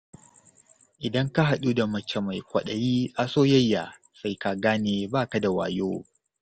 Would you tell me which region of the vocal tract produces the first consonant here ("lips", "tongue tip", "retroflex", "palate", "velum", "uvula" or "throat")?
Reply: throat